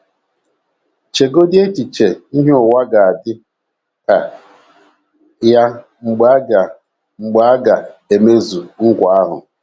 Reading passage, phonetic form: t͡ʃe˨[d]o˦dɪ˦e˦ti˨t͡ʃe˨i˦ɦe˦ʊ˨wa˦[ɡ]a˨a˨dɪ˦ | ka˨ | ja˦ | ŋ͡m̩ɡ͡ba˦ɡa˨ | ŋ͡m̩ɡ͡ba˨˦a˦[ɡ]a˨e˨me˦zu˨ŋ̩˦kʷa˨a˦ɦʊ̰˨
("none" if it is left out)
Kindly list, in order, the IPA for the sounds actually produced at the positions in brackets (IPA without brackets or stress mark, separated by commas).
ɡ, ɡ, ɡ